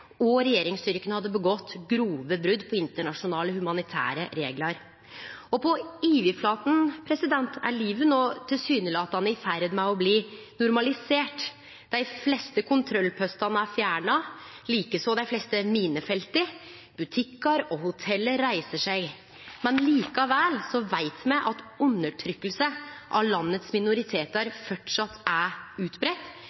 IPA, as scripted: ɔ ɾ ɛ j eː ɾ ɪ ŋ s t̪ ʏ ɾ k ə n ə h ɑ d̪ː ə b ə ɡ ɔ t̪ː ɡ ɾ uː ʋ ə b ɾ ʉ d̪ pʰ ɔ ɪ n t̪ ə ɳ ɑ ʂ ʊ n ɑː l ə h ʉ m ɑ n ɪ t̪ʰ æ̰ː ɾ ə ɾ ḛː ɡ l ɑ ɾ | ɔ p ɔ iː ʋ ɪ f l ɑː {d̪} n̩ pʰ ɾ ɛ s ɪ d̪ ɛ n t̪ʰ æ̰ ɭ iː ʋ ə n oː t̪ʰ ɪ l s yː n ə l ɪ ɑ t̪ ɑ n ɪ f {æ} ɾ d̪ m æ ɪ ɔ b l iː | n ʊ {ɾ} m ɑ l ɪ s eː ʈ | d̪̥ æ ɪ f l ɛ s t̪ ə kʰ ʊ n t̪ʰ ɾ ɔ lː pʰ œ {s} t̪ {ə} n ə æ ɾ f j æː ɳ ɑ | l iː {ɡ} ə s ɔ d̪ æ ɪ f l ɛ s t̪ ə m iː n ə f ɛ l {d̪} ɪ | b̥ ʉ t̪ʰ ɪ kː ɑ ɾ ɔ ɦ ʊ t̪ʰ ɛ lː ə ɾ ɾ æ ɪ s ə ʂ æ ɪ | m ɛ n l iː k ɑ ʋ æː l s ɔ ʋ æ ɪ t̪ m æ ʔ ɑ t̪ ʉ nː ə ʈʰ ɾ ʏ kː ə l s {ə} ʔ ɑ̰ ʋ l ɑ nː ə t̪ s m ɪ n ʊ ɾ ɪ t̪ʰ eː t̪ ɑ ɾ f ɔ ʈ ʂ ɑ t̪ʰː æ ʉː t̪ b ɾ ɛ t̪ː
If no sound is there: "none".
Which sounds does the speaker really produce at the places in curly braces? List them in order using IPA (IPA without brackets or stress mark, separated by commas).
t̪, æ, ɾ, s, ɑ, k, t̪, ə